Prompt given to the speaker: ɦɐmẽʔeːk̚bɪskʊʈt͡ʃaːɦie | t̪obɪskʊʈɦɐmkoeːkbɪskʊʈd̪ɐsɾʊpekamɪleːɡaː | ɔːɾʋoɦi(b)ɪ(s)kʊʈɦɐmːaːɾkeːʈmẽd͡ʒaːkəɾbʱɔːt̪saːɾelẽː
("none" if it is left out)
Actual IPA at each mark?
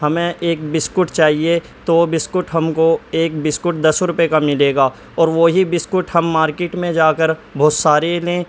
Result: b, s

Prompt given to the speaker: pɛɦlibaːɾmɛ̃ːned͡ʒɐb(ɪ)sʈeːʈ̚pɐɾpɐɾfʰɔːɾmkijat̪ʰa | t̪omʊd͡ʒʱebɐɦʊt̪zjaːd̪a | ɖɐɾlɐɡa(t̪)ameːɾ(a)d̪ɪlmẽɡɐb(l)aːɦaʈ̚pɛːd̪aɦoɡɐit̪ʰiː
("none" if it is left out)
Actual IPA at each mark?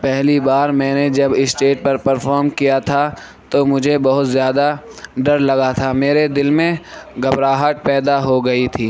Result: ɪ, t̪ʰ, e, ɾ

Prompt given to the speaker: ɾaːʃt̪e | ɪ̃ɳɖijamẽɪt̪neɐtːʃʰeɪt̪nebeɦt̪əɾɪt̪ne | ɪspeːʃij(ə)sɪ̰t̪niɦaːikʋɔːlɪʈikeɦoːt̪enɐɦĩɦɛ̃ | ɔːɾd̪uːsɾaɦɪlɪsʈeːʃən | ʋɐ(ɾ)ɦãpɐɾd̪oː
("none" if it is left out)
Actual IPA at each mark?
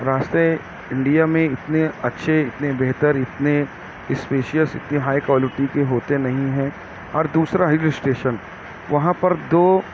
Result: ə, none

